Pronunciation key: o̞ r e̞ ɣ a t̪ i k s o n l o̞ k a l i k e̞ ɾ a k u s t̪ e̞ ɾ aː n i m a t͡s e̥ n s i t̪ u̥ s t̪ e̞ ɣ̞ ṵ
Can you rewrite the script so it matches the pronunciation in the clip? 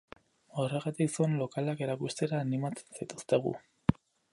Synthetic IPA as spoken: o̞ r e̞ ɣ a t̪ i k s o n l o̞ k a l a k e̞ ɾ a k u s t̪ e̞ ɾ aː n i m a t͡s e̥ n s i t̪ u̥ s t̪ e̞ ɣ̞ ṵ